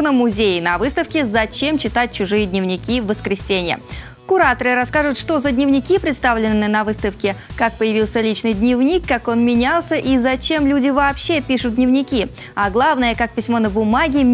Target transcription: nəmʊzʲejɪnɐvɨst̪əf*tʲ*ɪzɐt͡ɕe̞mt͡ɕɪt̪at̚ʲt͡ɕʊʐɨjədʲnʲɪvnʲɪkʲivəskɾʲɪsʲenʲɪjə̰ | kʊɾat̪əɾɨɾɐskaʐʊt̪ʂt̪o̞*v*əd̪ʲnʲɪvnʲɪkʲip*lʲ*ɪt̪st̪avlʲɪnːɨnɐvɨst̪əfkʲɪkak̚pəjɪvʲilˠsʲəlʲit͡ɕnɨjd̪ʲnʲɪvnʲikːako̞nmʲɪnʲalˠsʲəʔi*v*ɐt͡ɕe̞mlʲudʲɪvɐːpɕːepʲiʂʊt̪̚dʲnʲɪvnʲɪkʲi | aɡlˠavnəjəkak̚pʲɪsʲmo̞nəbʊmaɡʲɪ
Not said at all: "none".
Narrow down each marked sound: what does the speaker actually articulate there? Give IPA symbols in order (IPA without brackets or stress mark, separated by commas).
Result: kʲ, z, ɾʲ, z